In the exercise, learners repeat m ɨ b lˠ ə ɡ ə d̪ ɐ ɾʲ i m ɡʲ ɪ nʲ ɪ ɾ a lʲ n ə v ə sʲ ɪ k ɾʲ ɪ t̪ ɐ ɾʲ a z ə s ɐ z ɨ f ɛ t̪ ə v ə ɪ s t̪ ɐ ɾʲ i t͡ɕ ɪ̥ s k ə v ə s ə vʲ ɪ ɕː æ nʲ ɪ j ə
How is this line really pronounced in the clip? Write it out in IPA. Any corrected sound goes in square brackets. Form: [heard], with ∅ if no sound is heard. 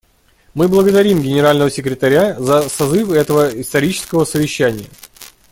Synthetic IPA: m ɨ b lˠ ə ɡ ə d̪ ɐ ɾʲ i m ɡʲ ɪ nʲ ɪ ɾ a lʲ n ə v ə sʲ ɪ k ɾʲ ɪ t̪ ɐ ɾʲ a z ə s ɐ z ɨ f ɛ t̪ ə v ə ɪ s t̪ ɐ ɾʲ i t͡ɕ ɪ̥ s k ə v ə s ə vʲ ɪ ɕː æ nʲ ɪ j ə

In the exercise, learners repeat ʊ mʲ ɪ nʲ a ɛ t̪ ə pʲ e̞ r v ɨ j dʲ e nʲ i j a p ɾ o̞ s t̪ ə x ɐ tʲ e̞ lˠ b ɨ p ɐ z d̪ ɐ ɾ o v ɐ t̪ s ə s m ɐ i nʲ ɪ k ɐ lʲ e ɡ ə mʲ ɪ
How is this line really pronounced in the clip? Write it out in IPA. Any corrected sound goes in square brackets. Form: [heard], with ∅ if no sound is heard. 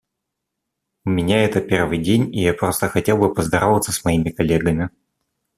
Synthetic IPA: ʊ mʲ ɪ nʲ a ɛ t̪ ə pʲ e̞ r v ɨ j dʲ e nʲ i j a p ɾ o̞ s t̪ ə x ɐ tʲ e̞ lˠ b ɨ p [ə] z d̪ ɐ ɾ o v [ə] t̪ s ə s m ɐ i [mʲ] ɪ k ɐ lʲ e ɡ ə mʲ ɪ

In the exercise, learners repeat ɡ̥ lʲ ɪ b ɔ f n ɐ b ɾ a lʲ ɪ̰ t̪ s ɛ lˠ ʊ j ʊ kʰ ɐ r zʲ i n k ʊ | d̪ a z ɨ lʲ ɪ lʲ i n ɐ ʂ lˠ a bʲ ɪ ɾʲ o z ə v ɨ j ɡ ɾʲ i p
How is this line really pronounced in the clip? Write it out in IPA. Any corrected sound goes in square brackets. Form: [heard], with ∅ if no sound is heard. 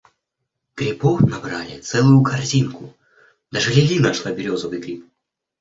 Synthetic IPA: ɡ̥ [ɾʲ] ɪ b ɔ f n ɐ b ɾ a lʲ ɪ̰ t̪ s ɛ lˠ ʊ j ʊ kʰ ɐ r zʲ i n k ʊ | d̪ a [ʐ] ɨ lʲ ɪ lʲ i n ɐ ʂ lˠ a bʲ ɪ ɾʲ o z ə v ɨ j ɡ ɾʲ i p

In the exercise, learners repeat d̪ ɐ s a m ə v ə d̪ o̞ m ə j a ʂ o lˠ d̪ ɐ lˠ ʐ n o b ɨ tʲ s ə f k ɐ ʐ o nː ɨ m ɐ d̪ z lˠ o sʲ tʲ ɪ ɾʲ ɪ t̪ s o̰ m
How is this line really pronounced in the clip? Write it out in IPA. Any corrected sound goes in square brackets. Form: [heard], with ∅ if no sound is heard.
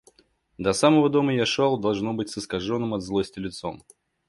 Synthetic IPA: d̪ ɐ s a m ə v ə d̪ o̞ m ə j a ʂ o lˠ d̪ ɐ lˠ ʐ n o b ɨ tʲ s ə [s] k ɐ ʐ o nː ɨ m ɐ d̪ z lˠ o sʲ tʲ ɪ [lʲ] ɪ t̪ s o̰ m

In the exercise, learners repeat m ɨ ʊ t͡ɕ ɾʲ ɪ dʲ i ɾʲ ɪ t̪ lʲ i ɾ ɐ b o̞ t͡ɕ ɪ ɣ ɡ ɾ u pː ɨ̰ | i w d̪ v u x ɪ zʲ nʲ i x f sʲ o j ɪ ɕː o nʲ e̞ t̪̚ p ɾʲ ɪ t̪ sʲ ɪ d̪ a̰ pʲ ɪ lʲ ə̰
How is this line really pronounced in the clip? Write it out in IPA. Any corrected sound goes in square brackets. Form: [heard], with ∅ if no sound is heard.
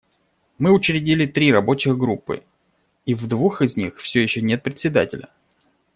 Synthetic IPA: m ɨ ʊ t͡ɕ ɾʲ ɪ dʲ i [lʲ] ɪ t̪ [ɾʲ] i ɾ ɐ b o̞ t͡ɕ ɪ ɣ ɡ ɾ u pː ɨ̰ | i [v] d̪ v u x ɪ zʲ nʲ i x f sʲ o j ɪ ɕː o nʲ e̞ t̪̚ p ɾʲ ɪ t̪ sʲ ɪ d̪ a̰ [tʲ] ɪ lʲ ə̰

